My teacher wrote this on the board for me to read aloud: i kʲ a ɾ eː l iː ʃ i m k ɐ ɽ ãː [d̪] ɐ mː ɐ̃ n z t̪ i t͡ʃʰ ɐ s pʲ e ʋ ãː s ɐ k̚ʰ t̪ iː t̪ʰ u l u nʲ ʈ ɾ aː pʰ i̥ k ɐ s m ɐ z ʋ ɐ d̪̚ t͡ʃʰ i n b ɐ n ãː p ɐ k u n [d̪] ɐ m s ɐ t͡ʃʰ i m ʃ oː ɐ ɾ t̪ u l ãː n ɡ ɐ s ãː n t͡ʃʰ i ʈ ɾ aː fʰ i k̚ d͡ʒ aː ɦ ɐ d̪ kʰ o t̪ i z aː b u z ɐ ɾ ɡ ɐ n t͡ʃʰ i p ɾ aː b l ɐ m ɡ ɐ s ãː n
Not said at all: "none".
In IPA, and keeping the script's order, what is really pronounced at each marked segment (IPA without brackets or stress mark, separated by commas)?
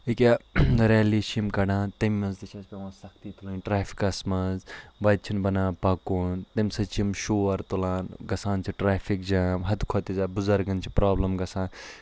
t̪, t̪